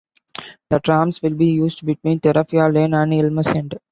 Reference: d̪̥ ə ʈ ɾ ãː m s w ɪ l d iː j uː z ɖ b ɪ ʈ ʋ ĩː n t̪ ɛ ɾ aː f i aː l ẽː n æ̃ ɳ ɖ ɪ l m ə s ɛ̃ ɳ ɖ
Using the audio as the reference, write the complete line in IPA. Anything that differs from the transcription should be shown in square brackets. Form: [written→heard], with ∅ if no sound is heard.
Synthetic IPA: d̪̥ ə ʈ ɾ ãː m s [w→ʋ] ɪ l [d→b] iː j uː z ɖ b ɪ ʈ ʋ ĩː n t̪ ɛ ɾ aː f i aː l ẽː n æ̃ ɳ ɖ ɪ l m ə s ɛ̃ ɳ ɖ